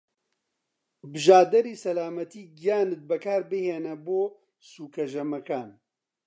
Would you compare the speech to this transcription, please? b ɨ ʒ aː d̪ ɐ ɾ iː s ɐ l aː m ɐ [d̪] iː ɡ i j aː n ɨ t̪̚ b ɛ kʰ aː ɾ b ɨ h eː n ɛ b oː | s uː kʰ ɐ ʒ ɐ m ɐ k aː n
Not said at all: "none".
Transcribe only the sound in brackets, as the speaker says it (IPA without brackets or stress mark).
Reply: t̪